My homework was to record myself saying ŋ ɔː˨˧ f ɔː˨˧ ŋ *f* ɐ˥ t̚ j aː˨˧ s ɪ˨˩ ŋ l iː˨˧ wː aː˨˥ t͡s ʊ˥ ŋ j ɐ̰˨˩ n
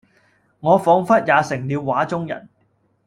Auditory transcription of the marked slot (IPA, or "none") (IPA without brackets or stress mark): f